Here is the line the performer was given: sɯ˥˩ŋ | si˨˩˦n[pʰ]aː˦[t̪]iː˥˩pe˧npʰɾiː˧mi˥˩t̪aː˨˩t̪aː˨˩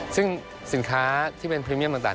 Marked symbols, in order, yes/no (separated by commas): no, no